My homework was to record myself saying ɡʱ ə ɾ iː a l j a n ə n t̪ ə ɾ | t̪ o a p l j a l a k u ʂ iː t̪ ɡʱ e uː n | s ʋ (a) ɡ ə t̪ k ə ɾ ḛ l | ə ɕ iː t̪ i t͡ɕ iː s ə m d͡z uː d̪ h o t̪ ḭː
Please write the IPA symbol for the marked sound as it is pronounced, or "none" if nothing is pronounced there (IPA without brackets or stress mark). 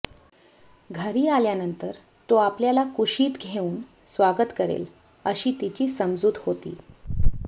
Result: a